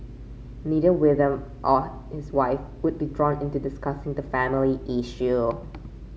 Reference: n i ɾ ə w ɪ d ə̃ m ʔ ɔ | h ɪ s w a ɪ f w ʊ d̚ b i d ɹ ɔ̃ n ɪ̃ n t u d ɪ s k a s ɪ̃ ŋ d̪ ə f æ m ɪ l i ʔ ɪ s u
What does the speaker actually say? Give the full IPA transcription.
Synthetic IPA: n i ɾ ə w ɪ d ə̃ m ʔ ɔ | h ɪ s w a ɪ f w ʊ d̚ b i d ɹ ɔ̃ n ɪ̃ n t u d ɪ s k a s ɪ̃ ŋ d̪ ə f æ m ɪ l i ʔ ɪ ʃ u